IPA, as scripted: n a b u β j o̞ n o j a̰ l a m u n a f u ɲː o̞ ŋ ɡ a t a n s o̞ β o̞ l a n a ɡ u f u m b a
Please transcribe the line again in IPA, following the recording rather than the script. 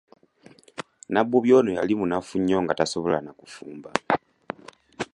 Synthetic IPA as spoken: n a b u β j o̞ n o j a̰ l i m u n a f u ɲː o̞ ŋ ɡ a t a s o̞ β o̞ l a n a k u f uː m b a